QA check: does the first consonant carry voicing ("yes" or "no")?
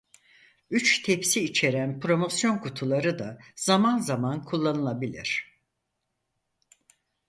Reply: no